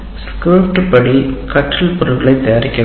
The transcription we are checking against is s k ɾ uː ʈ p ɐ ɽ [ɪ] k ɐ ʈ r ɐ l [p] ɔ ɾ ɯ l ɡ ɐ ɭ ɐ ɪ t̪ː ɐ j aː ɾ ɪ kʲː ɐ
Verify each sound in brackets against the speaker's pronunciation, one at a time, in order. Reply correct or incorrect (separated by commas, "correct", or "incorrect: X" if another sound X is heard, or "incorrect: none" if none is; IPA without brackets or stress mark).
incorrect: i, correct